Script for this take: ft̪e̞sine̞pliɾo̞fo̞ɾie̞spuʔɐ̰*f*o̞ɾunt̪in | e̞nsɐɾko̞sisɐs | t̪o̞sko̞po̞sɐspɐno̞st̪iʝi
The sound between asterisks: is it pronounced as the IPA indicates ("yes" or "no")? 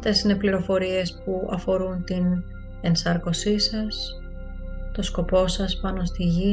yes